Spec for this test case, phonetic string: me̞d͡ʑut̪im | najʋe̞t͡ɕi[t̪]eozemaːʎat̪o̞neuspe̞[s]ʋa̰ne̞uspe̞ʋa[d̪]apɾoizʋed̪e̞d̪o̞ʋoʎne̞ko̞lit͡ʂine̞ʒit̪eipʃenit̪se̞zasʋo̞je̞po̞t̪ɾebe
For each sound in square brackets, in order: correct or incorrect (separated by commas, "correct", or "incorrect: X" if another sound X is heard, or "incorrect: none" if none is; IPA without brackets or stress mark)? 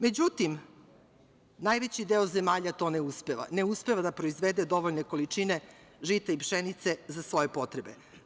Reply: incorrect: d̪, incorrect: none, correct